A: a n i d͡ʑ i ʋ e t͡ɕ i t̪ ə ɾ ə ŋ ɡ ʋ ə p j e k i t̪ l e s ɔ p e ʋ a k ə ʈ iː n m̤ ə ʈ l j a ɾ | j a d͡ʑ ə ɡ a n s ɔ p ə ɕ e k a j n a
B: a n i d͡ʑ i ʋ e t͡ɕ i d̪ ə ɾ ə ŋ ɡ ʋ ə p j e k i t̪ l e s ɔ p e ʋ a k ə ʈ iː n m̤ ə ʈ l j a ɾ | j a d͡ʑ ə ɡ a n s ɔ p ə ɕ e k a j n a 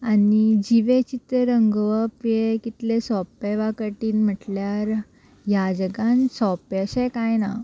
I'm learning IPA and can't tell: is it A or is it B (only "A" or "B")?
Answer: A